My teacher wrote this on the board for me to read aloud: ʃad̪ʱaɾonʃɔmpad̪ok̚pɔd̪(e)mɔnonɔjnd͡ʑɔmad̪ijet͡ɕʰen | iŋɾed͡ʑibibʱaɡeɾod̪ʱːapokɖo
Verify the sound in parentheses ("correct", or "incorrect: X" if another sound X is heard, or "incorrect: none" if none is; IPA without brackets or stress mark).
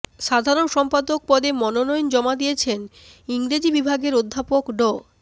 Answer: correct